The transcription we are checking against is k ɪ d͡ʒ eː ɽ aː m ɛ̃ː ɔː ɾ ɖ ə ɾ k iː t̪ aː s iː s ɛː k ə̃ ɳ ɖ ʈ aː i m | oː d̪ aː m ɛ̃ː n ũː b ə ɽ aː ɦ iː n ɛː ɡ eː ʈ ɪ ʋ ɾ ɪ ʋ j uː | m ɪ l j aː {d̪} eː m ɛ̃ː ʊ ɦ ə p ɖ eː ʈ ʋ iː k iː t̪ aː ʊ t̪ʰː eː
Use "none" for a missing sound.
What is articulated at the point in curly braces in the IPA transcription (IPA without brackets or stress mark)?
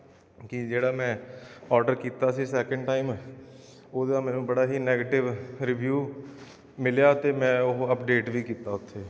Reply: t̪